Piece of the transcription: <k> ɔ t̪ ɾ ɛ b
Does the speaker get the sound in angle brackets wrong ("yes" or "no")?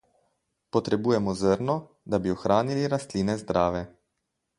yes